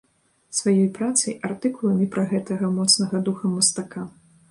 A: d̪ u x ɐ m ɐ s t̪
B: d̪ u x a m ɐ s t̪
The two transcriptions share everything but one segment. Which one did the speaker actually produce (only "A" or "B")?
A